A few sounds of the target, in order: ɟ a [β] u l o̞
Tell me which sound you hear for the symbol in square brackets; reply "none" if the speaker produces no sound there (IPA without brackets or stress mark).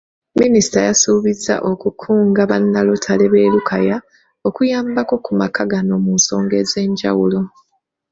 w